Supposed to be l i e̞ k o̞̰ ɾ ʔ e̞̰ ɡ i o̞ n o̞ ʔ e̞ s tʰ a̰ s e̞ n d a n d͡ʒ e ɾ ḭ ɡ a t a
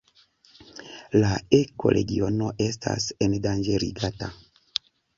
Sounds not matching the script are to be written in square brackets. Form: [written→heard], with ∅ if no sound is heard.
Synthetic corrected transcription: l [i→a] e̞ k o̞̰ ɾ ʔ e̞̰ ɡ i o̞ n o̞ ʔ e̞ s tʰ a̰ s e̞ n d a n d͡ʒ e ɾ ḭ ɡ a t a